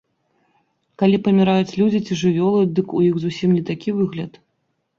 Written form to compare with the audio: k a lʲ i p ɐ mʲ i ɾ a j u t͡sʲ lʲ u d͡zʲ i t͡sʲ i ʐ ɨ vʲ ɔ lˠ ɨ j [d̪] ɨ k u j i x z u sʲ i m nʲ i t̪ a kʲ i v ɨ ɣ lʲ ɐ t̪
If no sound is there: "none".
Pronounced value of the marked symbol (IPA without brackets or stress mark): d̪